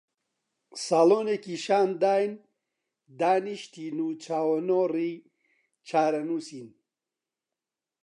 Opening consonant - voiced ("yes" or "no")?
no